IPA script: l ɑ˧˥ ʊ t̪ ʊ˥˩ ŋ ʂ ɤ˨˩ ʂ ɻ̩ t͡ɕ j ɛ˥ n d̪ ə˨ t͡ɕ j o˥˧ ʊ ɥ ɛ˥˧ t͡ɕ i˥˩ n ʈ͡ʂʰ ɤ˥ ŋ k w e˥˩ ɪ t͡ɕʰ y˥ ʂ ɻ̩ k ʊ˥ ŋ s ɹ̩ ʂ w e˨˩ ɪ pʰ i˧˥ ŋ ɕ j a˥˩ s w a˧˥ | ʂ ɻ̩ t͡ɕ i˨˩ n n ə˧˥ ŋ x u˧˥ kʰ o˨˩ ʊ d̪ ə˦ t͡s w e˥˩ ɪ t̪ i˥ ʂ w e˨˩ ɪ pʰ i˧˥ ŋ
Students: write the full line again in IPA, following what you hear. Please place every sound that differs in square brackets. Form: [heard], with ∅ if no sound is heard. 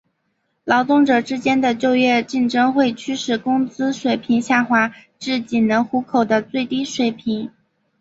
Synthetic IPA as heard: l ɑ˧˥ ʊ t̪ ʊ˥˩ ŋ [ʈ͡ʂ] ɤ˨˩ [ʈ͡ʂ] ɻ̩ t͡ɕ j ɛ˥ n d̪ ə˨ t͡ɕ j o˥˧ ʊ ɥ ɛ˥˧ t͡ɕ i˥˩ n [ʈ͡ʂ] ɤ˥ ŋ [x] w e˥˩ ɪ t͡ɕʰ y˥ ʂ ɻ̩ k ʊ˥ ŋ [t͡s] ɹ̩ ʂ w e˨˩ ɪ pʰ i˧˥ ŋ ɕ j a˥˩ [x] w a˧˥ | [ʈ͡ʂ] ɻ̩ t͡ɕ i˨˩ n n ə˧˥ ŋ x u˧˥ kʰ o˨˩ ʊ d̪ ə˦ t͡s w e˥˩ ɪ t̪ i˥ ʂ w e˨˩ ɪ pʰ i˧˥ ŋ

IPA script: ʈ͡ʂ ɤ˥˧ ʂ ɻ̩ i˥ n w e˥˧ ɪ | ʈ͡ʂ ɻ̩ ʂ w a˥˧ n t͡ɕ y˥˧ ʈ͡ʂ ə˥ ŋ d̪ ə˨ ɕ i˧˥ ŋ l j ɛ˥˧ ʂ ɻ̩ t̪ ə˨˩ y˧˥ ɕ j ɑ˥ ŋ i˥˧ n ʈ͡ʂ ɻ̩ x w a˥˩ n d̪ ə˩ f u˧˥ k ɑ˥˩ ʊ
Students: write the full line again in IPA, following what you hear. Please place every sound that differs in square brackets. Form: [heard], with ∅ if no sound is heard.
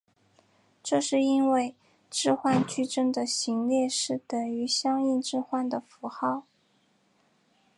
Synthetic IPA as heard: ʈ͡ʂ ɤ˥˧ ʂ ɻ̩ i˥ n w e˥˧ ɪ | ʈ͡ʂ ɻ̩ [x] w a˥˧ n t͡ɕ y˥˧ ʈ͡ʂ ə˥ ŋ d̪ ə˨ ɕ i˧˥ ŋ l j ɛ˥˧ ʂ ɻ̩ t̪ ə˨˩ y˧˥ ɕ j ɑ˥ ŋ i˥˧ n ʈ͡ʂ ɻ̩ x w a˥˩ n d̪ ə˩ f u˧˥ [x] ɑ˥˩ ʊ

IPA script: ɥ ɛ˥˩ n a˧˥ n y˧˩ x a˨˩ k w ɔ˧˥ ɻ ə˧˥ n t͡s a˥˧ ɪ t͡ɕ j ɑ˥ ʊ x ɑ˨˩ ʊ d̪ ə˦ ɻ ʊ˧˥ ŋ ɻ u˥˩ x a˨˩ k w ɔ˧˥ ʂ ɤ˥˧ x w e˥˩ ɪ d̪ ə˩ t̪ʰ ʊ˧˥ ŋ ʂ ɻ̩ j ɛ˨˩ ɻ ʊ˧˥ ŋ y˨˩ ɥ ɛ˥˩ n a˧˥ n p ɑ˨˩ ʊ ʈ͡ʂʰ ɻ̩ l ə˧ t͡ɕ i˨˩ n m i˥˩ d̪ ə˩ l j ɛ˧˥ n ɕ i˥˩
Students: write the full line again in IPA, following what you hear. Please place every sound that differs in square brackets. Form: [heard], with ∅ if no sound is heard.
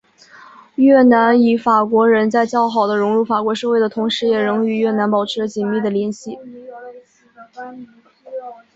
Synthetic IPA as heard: ɥ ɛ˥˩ n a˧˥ n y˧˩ [f] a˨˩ k w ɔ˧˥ ɻ ə˧˥ n t͡s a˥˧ ɪ t͡ɕ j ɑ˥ ʊ x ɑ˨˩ ʊ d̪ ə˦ ɻ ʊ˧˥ ŋ ɻ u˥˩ [f] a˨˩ k w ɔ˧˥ ʂ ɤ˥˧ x w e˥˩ ɪ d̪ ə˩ t̪ʰ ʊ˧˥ ŋ ʂ ɻ̩ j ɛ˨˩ ɻ ʊ˧˥ ŋ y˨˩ ɥ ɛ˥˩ n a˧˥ n p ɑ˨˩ ʊ ʈ͡ʂʰ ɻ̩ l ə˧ t͡ɕ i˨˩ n m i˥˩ d̪ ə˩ l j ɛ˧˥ n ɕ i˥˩

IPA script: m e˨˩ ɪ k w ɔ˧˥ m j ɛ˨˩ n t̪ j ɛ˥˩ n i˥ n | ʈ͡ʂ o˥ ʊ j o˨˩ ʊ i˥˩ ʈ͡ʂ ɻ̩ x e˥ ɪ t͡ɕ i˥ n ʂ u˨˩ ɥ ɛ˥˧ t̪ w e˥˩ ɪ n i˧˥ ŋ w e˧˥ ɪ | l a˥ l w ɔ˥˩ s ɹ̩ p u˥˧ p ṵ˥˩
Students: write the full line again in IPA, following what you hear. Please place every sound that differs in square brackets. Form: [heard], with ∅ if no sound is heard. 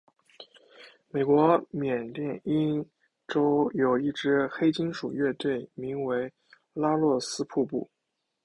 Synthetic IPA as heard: m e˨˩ ɪ k w ɔ˧˥ m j ɛ˨˩ n t̪ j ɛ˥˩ n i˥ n | ʈ͡ʂ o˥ ʊ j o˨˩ ʊ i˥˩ ʈ͡ʂ ɻ̩ x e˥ ɪ t͡ɕ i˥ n ʂ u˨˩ ɥ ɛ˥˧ t̪ w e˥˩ ɪ [m] i˧˥ ŋ w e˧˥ ɪ | l a˥ l w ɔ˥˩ s ɹ̩ [pʰ] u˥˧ p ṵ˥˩

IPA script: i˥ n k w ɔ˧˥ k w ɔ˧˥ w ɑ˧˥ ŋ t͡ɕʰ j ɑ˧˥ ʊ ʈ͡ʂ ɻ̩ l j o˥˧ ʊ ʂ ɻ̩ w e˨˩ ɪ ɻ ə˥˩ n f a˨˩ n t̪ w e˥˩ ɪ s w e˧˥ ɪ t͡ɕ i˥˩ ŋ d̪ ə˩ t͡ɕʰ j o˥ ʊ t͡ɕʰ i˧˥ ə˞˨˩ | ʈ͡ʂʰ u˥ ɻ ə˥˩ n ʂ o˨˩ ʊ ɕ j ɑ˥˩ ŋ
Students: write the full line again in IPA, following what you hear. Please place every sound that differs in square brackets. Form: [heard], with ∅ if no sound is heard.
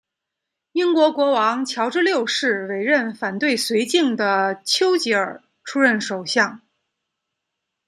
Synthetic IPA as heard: i˥ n k w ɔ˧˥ k w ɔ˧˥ w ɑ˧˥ ŋ t͡ɕʰ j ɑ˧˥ ʊ ʈ͡ʂ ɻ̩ l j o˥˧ ʊ ʂ ɻ̩ w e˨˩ ɪ ɻ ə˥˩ n f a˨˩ n t̪ w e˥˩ ɪ s w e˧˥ ɪ t͡ɕ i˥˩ ŋ d̪ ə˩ t͡ɕʰ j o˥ ʊ [t͡ɕ] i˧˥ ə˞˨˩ | ʈ͡ʂʰ u˥ ɻ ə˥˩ n ʂ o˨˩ ʊ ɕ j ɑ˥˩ ŋ

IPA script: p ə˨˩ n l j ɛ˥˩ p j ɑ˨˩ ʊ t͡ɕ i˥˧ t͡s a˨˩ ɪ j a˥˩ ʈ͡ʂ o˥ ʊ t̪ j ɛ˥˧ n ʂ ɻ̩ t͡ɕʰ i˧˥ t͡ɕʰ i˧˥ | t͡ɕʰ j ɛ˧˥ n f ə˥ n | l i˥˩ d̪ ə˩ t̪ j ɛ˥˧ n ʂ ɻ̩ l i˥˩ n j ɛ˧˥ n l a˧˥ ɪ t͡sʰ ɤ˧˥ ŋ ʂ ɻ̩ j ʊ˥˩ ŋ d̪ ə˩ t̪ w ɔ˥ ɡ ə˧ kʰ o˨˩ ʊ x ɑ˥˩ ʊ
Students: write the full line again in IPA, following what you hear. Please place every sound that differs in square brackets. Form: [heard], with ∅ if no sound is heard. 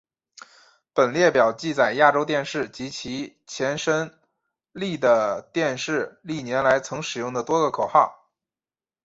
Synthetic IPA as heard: p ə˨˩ n l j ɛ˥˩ p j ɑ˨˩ ʊ t͡ɕ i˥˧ t͡s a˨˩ ɪ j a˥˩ ʈ͡ʂ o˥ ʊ t̪ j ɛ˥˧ n ʂ ɻ̩ [t͡ɕ] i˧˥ t͡ɕʰ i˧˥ | t͡ɕʰ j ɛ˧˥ n [ʂ] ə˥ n | l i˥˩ d̪ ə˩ t̪ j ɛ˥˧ n ʂ ɻ̩ l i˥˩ n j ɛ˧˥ n l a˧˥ ɪ t͡sʰ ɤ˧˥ ŋ ʂ ɻ̩ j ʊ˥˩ ŋ d̪ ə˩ t̪ w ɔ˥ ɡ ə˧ kʰ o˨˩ ʊ x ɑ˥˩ ʊ

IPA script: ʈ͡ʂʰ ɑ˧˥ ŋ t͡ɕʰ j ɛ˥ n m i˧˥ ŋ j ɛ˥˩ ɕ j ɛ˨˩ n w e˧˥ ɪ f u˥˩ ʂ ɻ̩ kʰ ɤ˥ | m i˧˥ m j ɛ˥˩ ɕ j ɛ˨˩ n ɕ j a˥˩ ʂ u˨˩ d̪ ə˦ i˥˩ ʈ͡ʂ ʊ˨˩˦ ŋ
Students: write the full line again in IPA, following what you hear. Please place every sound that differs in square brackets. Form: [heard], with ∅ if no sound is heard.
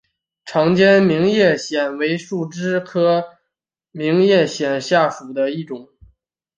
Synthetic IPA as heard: ʈ͡ʂʰ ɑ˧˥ ŋ [t͡ɕ] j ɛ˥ n m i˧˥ ŋ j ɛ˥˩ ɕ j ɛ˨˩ n w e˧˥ ɪ [ʂ] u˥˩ [ʈ͡ʂ] ɻ̩ kʰ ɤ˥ | m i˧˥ [ŋ] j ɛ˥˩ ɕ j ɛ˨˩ n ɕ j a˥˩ ʂ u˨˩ d̪ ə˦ i˥˩ ʈ͡ʂ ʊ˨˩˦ ŋ

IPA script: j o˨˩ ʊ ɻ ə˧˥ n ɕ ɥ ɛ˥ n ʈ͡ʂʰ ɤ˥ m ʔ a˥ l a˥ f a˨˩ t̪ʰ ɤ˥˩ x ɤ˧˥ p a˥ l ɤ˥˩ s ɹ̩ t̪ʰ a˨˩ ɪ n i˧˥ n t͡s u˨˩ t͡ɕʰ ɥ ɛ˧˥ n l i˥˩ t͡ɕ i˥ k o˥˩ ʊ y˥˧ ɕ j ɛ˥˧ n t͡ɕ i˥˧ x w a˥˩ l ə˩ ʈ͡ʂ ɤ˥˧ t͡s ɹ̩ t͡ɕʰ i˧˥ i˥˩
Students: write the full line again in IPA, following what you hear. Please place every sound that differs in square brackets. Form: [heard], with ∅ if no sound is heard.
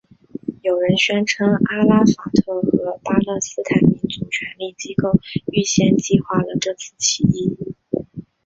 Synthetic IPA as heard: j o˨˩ ʊ ɻ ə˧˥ n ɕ ɥ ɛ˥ n ʈ͡ʂʰ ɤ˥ [ŋ] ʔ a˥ l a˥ f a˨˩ t̪ʰ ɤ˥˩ x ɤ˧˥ p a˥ l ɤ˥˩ s ɹ̩ t̪ʰ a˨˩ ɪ [m] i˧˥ n t͡s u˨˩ t͡ɕʰ ɥ ɛ˧˥ n l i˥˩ t͡ɕ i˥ k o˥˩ ʊ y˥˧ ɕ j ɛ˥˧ n t͡ɕ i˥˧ x w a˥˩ l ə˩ ʈ͡ʂ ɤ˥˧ [t͡sʰ] ɹ̩ t͡ɕʰ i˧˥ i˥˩

